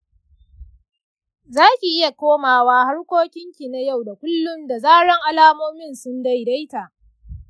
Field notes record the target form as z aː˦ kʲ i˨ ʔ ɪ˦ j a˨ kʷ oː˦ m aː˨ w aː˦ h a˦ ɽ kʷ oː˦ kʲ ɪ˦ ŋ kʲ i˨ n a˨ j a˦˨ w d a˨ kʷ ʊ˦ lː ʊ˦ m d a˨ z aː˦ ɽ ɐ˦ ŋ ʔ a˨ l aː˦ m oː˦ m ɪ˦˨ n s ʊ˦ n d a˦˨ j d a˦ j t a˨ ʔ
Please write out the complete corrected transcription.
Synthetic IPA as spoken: z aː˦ kʲ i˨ ʔ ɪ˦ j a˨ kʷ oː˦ m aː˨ w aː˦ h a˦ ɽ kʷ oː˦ kʲ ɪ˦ ŋ kʲ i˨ n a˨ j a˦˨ w d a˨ kʷ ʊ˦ lː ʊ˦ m d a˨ z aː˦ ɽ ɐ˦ ŋ ʔ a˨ l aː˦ m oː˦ m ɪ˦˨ n s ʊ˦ n d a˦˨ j d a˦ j t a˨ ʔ

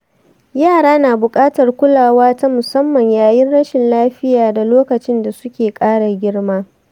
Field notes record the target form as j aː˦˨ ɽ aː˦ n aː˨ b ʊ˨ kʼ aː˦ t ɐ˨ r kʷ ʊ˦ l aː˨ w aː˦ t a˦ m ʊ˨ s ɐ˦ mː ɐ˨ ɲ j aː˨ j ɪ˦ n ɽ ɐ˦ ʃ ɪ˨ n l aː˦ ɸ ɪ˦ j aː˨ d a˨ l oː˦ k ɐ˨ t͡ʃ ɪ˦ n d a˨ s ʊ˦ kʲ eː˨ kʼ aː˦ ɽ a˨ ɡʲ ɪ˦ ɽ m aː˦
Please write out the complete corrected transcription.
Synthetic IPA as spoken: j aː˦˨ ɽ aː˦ n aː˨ b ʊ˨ kʼ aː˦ t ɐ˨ r kʷ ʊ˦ l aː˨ w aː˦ t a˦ m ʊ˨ s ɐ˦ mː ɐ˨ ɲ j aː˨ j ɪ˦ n ɽ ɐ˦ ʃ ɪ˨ n l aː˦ ɸ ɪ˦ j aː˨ d a˨ l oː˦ k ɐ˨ t͡ʃ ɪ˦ n d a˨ s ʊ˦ kʲ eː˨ kʼ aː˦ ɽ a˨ ɡʲ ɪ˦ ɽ m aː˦

